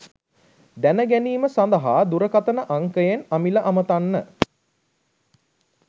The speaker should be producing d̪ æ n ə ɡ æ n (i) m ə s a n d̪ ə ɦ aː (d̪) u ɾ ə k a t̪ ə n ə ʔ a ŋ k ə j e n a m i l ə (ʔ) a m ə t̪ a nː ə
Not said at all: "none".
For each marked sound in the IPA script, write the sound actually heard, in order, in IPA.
iː, d̪, ʔ

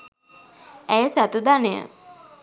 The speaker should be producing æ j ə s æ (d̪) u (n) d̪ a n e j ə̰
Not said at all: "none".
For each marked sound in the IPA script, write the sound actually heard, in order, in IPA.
t̪, none

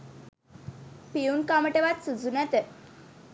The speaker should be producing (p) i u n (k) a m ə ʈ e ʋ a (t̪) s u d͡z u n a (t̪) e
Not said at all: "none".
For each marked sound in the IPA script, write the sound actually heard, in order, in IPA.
p, k, t̪, t̪

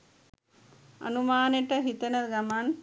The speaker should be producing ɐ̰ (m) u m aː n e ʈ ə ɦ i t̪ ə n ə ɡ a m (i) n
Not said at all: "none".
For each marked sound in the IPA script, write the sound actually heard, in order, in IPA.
n, a

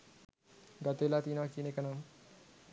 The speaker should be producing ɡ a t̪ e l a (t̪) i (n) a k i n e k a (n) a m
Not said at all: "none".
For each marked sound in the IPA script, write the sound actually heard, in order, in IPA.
t̪, n, n

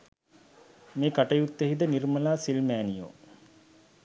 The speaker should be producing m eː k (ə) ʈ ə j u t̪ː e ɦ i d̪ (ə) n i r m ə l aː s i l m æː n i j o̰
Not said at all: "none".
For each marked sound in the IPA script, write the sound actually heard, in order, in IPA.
a, ə

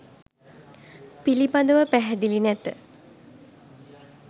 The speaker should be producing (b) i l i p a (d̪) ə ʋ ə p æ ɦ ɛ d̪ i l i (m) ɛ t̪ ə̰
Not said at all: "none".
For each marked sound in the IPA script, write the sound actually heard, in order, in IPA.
p, d̪, n

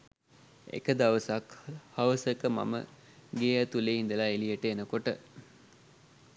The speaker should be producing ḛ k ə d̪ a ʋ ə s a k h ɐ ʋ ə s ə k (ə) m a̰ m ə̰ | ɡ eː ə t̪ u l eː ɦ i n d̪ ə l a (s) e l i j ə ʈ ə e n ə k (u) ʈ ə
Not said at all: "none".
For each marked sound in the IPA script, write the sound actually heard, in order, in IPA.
ə, none, o

